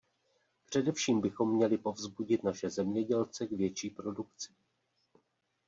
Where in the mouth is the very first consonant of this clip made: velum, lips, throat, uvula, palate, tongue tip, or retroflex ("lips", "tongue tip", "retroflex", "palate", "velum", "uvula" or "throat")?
lips